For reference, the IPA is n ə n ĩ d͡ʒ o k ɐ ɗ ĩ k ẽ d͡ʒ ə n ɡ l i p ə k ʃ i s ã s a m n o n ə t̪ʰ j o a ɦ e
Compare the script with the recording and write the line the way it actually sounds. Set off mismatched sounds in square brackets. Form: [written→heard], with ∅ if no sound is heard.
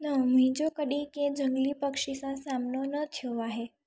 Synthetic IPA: n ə [n→m] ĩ d͡ʒ o k [ɐ→ə] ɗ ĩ k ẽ d͡ʒ ə [n→ŋ] ɡ l i p ə k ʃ i s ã s a m n o n ə t̪ʰ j o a ɦ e